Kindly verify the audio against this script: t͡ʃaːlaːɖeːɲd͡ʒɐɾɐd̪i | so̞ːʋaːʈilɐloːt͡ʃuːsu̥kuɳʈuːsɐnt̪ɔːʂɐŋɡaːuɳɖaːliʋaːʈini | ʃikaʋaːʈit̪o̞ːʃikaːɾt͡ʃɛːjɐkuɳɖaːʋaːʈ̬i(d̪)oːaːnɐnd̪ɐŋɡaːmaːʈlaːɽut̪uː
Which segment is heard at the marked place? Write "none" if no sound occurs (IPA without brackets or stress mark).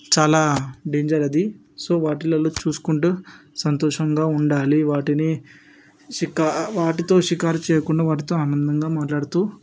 t̪